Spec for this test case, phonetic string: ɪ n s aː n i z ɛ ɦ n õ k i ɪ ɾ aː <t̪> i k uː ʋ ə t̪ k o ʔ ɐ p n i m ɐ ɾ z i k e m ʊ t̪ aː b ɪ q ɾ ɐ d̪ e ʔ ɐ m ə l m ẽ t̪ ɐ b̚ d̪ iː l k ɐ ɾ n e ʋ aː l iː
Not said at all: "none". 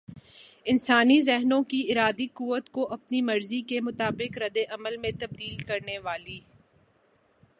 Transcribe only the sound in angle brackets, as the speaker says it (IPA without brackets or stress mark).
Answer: d̪